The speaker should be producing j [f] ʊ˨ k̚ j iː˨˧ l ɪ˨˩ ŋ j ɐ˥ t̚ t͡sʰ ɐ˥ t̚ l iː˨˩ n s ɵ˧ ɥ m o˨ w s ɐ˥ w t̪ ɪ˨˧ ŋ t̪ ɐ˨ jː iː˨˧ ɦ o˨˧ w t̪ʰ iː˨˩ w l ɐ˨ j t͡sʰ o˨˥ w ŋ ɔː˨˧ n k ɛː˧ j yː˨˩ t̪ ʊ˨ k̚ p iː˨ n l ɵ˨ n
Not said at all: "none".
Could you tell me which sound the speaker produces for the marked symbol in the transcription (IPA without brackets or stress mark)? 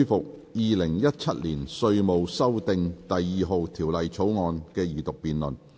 f